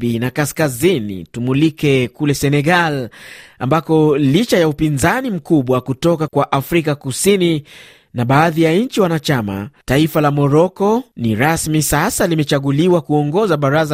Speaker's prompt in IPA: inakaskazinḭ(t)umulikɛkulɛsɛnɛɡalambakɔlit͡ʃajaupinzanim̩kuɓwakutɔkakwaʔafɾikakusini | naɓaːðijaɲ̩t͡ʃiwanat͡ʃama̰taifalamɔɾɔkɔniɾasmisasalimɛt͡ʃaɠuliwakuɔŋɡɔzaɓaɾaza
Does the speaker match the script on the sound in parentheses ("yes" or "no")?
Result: yes